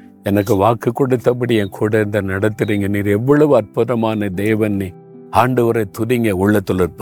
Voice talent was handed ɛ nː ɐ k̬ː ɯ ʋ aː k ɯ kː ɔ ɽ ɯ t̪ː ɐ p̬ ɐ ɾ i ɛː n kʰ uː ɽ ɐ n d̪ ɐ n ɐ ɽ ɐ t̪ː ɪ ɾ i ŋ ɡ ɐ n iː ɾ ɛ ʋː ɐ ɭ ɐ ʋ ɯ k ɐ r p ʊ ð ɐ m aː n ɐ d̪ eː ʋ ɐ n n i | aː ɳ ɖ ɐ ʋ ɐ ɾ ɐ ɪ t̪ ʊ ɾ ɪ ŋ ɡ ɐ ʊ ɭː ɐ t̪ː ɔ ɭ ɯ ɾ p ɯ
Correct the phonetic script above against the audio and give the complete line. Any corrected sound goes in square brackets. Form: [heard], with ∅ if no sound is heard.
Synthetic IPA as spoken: ɛ [n] ɐ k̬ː ɯ ʋ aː k ɯ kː ɔ ɽ ɯ t̪ː ɐ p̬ ɐ [ɽ] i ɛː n kʰ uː ɽ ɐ n d̪ ɐ n ɐ ɽ ɐ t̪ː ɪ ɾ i ŋ ɡ ɐ n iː ɾ ɛ ʋː ɐ ɭ ɐ ʋ ɯ [∅] ɐ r p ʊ ð ɐ m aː n ɐ d̪ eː ʋ ɐ n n i | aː ɳ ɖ ɐ ʋ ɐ ɾ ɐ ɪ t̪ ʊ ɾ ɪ ŋ ɡ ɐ ʊ ɭː ɐ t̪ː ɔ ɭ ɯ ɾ p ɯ